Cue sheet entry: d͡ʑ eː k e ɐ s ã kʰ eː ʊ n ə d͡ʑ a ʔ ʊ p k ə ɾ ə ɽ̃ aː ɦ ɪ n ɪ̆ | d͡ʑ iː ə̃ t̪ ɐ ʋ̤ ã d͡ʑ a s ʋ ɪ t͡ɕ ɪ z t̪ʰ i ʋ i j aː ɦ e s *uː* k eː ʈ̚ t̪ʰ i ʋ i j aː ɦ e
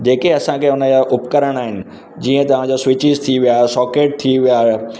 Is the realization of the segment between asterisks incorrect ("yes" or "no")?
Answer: yes